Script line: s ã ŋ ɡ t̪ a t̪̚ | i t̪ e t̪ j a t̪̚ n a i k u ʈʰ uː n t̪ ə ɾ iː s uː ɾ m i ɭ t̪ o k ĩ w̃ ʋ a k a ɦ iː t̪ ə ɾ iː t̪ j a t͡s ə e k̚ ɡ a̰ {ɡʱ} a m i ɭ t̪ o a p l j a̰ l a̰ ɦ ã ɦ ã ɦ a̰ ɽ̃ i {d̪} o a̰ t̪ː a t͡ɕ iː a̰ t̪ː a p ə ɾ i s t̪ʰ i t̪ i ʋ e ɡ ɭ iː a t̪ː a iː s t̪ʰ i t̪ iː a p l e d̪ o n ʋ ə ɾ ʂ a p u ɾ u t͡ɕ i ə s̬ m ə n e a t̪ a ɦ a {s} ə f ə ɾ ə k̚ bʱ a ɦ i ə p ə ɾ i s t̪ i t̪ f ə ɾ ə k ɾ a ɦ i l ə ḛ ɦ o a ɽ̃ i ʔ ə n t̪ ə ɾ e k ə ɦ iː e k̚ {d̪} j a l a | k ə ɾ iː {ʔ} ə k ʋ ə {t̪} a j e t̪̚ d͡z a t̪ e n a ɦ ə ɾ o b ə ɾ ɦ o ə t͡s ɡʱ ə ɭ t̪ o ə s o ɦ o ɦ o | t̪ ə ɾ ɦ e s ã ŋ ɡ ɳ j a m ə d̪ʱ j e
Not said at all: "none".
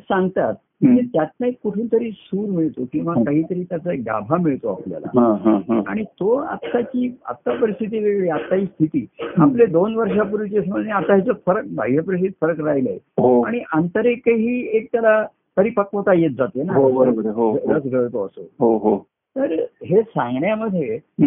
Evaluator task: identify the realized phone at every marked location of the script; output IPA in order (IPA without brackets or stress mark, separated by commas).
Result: bʱ, t̪, t͡s, t̪, p, t̪